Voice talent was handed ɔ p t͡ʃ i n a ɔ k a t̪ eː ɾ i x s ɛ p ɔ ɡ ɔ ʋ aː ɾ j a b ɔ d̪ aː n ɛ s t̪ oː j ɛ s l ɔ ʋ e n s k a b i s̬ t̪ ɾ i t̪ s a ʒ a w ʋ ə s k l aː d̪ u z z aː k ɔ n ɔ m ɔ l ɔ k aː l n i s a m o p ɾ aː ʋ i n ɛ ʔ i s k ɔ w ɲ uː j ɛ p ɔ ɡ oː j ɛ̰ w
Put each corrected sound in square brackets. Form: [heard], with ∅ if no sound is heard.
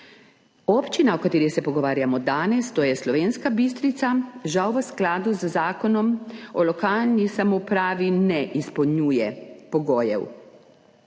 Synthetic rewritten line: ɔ p t͡ʃ i n a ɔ k a t̪ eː ɾ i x s ɛ p ɔ ɡ ɔ ʋ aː ɾ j a [m] ɔ d̪ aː n ɛ s t̪ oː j ɛ s l ɔ ʋ e n s k a b i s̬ t̪ ɾ i t̪ s a ʒ a w ʋ ə s k l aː d̪ u z z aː k ɔ n ɔ m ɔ l ɔ k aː l n i s a m o p ɾ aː ʋ i n ɛ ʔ i s [p] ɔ w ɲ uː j ɛ p ɔ ɡ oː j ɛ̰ w